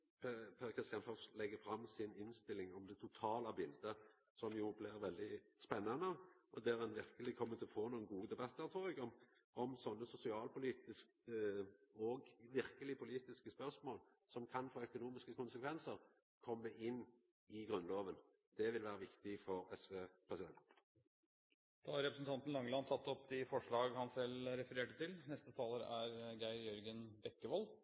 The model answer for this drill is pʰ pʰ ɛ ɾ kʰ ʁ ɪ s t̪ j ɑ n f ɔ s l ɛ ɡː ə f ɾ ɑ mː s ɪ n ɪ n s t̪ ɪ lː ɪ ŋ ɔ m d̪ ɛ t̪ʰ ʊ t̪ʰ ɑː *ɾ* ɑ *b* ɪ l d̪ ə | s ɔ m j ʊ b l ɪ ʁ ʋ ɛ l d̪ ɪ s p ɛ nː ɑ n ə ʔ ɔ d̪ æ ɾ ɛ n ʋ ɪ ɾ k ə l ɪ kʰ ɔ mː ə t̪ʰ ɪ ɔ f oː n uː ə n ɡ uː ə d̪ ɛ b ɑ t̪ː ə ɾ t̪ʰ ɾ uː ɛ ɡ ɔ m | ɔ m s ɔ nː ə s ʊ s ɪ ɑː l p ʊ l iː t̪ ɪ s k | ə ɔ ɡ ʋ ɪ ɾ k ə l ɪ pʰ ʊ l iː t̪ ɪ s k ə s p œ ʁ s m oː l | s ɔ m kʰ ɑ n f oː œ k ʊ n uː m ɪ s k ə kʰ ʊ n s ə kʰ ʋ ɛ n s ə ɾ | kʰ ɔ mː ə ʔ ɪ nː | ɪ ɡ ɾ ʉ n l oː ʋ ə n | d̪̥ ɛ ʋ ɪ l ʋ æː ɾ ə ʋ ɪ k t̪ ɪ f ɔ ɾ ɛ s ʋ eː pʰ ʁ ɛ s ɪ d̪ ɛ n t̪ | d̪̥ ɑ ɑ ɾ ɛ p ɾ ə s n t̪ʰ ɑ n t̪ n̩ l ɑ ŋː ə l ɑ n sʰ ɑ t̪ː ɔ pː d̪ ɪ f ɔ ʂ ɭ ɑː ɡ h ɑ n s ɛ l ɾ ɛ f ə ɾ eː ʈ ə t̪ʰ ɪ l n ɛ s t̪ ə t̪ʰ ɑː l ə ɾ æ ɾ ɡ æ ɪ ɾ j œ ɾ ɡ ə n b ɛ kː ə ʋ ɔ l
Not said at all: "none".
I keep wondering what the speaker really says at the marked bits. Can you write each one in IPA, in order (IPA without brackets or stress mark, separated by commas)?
l, b